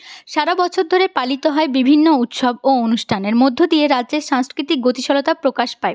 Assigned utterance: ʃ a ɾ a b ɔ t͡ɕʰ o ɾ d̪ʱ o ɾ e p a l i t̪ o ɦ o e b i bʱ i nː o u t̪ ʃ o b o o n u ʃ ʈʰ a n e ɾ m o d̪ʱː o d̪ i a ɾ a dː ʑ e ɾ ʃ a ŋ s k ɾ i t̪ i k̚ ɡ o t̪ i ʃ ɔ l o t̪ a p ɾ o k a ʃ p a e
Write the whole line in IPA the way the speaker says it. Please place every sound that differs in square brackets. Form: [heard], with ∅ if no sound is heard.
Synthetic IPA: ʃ a ɾ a b ɔ t͡ɕʰ o ɾ d̪ʱ o ɾ e p a l i t̪ o ɦ [ɔ] e b i bʱ i nː o u t̪ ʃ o b o o n u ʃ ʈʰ a n e ɾ m o d̪ʱː o d̪ i [e] ɾ a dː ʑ e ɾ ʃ a ŋ s k ɾ i t̪ i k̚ ɡ o t̪ i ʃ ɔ l o t̪ a p ɾ o k a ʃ p a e